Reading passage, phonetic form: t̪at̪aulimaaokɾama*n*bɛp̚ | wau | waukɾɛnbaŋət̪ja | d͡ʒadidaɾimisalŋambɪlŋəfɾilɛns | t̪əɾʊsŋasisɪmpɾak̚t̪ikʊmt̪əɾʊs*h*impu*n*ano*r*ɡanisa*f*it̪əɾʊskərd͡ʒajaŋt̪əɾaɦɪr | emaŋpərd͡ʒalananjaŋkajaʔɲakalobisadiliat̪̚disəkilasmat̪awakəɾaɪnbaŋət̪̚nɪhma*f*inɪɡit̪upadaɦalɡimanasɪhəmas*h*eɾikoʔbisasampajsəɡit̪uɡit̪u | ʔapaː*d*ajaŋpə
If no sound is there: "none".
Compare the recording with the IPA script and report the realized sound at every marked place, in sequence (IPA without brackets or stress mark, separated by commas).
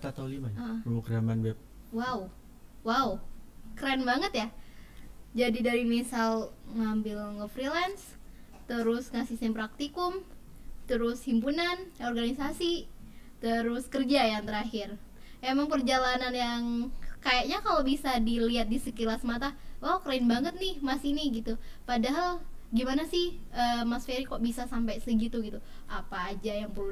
n, h, n, r, s, s, f, d͡ʒ